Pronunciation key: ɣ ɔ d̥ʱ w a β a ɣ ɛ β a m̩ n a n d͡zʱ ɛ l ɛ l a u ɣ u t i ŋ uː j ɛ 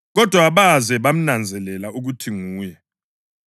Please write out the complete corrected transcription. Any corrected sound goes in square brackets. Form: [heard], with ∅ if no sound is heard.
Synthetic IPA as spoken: ɣ ɔ d̥ʱ w a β a [z] ɛ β a m̩ n a n d͡zʱ ɛ l ɛ l a u ɣ u [tʰ] i ŋ uː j ɛ